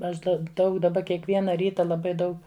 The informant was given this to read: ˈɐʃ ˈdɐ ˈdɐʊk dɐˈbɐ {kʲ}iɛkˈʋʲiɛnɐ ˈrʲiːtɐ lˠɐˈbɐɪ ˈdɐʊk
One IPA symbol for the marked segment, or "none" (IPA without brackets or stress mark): kʲ